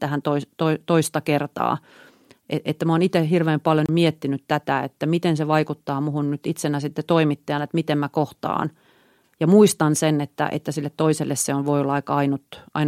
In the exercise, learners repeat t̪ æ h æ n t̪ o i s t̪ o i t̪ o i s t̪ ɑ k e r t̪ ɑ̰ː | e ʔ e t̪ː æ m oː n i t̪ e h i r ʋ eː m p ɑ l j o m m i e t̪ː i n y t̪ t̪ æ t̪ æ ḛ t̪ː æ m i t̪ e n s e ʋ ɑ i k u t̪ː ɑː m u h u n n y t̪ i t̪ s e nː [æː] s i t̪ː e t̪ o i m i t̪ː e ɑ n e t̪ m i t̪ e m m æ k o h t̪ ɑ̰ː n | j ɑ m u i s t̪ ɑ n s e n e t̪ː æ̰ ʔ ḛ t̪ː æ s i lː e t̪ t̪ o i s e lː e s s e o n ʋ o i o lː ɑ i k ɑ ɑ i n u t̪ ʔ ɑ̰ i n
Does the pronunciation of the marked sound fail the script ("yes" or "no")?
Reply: yes